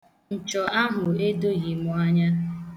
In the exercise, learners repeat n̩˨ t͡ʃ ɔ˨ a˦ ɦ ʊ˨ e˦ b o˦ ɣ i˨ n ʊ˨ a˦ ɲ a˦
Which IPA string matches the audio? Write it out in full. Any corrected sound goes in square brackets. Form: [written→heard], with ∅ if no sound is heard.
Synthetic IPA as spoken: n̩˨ t͡ʃ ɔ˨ a˦ ɦ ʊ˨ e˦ [b→d] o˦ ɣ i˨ [n→m] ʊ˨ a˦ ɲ a˦

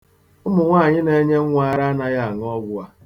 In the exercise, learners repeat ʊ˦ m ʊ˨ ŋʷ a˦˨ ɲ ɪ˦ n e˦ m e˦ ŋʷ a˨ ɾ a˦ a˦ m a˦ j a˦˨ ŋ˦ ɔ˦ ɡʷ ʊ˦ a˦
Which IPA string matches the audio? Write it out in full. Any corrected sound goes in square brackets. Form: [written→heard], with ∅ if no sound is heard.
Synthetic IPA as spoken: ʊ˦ m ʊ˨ ŋʷ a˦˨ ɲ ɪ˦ n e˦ [m→ɲ] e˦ ŋʷ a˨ ɾ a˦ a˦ [m→n] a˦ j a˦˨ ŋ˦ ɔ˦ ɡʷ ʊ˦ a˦

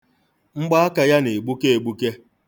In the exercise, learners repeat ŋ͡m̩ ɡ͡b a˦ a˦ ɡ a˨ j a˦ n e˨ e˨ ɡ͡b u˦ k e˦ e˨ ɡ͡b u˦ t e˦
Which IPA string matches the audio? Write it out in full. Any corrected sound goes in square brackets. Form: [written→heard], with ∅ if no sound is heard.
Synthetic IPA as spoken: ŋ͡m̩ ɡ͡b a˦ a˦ [ɡ→k] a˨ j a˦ n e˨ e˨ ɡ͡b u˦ k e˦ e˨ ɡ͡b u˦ [t→k] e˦

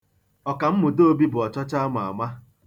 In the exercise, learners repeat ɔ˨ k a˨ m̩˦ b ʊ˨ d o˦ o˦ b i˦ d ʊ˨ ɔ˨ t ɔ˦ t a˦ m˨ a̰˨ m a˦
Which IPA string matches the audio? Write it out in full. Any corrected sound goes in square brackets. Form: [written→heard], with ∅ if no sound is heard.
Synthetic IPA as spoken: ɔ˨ k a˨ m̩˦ [b→m] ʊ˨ d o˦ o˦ b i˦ [d→b] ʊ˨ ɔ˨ [t→t͡ʃ] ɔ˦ [t→t͡ʃ] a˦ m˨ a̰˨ m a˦

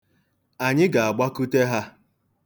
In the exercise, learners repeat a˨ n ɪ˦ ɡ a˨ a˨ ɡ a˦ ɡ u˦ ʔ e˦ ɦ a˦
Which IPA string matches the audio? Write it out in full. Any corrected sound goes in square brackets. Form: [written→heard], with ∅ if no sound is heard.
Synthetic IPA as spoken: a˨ [n→ɲ] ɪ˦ ɡ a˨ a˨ [ɡ→ɡ͡b] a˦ [ɡ→k] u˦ [ʔ→t] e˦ ɦ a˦

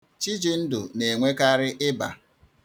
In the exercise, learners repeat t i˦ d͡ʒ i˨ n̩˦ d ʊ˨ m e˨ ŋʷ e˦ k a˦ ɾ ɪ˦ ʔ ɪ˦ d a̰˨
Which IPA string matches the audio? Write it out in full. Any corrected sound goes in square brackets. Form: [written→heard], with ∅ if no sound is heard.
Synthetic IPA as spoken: [t→t͡ʃ] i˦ d͡ʒ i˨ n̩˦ d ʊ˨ [m→n] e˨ ŋʷ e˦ k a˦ ɾ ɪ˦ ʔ ɪ˦ [d→b] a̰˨

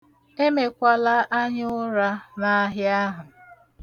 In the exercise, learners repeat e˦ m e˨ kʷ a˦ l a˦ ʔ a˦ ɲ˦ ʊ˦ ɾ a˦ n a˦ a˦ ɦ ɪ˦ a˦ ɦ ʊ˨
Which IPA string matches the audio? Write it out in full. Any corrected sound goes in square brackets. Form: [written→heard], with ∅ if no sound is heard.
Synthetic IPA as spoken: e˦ m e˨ kʷ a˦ l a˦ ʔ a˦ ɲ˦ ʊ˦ ɾ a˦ n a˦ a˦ ɦ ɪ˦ a˦ ɦ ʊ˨

